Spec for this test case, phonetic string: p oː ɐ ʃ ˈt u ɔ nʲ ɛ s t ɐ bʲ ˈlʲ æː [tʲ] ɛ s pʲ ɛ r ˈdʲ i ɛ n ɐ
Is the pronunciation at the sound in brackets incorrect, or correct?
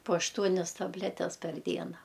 correct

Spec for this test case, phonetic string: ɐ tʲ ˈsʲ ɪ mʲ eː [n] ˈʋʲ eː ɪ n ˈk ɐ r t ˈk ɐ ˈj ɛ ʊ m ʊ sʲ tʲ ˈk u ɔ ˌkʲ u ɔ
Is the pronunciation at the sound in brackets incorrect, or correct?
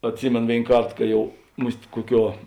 correct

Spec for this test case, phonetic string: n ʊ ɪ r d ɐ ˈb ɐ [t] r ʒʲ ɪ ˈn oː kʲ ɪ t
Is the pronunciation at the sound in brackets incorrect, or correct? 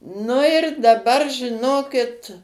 incorrect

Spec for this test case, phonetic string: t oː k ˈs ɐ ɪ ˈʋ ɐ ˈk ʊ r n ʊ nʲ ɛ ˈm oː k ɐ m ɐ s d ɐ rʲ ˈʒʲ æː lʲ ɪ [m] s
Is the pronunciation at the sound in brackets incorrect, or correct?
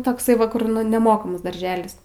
incorrect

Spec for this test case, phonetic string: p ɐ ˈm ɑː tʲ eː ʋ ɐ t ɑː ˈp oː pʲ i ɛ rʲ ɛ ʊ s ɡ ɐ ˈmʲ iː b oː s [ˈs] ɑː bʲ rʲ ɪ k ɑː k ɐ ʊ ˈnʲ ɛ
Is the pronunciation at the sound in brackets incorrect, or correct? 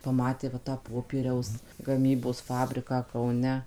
incorrect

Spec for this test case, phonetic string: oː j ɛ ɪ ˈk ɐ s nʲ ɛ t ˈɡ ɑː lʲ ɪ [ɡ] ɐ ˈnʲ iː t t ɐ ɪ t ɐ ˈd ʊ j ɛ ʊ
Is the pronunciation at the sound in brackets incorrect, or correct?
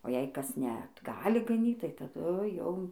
correct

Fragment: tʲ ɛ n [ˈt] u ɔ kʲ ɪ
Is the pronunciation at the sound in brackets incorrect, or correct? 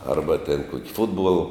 incorrect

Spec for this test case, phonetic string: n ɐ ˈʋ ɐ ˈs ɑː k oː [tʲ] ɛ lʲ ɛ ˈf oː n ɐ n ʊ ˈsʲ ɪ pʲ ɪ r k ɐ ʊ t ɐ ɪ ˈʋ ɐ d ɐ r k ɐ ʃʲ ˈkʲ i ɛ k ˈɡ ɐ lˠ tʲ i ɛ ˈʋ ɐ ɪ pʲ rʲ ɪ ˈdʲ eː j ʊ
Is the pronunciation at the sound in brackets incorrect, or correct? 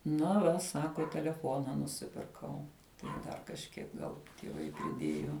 correct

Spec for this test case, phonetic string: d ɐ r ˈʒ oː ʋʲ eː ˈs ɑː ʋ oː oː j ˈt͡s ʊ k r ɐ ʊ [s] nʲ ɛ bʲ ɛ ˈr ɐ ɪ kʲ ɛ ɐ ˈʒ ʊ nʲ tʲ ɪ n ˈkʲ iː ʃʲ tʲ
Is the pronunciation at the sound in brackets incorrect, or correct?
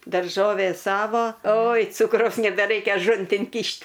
correct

